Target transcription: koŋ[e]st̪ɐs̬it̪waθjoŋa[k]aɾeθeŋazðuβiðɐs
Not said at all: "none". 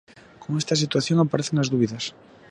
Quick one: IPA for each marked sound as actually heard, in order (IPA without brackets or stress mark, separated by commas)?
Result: e, p